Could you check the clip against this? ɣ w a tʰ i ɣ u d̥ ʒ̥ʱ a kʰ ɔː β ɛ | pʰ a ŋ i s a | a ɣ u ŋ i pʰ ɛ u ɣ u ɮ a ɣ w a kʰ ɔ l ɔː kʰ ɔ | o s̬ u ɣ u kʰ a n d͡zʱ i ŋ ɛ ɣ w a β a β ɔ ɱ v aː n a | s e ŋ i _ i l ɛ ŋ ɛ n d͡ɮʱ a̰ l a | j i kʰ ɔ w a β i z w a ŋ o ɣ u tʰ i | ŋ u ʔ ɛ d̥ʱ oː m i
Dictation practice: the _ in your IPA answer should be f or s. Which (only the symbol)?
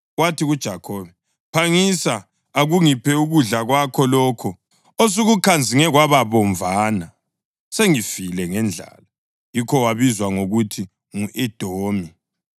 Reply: f